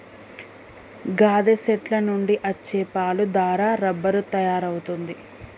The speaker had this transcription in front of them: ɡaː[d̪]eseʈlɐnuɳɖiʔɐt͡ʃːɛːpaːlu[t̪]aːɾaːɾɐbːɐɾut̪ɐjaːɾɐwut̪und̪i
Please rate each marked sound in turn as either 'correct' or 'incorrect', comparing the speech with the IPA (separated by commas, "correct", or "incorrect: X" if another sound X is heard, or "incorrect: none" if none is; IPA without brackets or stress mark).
correct, incorrect: d̪